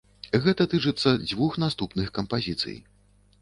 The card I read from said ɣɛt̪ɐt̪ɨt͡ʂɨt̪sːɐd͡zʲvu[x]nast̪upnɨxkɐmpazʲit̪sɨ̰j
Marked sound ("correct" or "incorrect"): correct